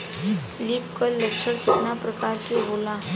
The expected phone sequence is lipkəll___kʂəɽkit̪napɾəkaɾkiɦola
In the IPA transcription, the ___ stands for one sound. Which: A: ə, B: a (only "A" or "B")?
A